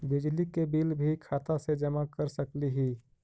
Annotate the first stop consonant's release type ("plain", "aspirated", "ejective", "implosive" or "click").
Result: plain